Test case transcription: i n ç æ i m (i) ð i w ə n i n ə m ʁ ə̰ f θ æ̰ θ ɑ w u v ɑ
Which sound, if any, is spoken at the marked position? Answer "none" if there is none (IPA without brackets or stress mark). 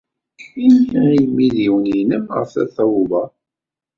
i